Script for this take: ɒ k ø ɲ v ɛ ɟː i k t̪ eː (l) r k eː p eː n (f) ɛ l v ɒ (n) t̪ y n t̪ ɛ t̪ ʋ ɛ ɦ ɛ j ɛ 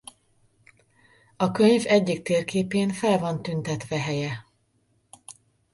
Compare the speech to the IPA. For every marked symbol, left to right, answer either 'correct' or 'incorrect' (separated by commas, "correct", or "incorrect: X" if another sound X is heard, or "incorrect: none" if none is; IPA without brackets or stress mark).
incorrect: none, correct, correct